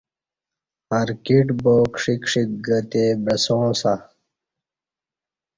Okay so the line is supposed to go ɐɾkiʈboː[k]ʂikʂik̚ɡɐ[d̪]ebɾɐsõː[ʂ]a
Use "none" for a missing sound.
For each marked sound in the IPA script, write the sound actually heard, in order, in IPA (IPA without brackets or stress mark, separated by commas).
k, t̪, s